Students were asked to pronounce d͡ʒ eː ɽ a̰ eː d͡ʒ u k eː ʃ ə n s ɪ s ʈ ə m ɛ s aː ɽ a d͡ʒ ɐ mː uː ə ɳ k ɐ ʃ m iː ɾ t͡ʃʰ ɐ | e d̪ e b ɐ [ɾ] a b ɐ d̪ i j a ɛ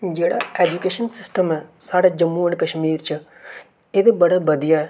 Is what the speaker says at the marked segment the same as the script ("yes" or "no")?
no